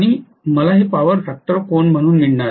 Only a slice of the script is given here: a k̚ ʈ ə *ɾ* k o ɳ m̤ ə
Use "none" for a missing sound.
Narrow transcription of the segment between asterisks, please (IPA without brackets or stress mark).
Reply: ɾ